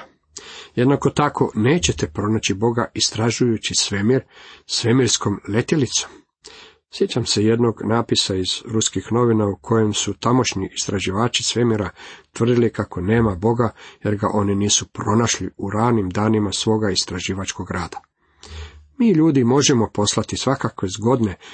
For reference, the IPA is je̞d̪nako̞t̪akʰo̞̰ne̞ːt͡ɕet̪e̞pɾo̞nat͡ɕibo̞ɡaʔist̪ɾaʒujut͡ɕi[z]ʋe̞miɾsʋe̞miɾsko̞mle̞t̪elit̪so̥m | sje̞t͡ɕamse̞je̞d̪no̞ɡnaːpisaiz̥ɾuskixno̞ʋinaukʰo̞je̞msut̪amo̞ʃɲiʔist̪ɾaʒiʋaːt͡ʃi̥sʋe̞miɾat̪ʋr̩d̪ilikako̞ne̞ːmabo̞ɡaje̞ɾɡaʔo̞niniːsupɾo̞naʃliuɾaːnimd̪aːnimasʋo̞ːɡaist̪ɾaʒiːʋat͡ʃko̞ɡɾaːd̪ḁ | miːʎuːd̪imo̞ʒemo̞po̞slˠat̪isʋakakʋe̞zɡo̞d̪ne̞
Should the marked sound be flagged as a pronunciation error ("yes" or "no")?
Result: yes